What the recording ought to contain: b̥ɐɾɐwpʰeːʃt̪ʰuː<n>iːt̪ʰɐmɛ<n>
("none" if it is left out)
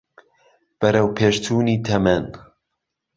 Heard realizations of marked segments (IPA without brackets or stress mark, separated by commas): n, n